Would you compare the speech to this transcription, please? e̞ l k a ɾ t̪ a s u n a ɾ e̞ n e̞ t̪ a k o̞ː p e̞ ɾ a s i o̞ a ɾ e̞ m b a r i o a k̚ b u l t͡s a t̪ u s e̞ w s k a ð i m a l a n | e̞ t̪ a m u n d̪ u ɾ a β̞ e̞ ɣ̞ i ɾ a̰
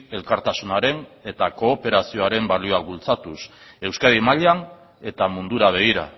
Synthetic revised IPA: e̞ l k a ɾ t̪ a s u n a ɾ e̞ n e̞ t̪ a k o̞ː p e̞ ɾ a s i o̞ a ɾ e̞ m b a l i o a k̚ b u l t͡s a t̪ u s e̞ w s k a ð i m a ʎ a n | e̞ t̪ a m u n d̪ u ɾ a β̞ e̞ ɣ̞ i ɾ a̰